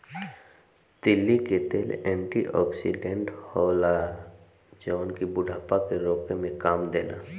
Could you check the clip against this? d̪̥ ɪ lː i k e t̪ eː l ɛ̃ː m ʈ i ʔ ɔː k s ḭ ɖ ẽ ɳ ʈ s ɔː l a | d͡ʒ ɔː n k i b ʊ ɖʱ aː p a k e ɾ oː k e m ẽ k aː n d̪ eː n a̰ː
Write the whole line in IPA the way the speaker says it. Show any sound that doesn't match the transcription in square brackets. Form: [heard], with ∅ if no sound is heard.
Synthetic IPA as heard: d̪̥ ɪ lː i k e t̪ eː l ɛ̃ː [ɳ] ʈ i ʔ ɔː k s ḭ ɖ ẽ ɳ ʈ [h] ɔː l a | d͡ʒ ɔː n k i b ʊ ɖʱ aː p a k e ɾ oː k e m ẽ k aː [m] d̪ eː n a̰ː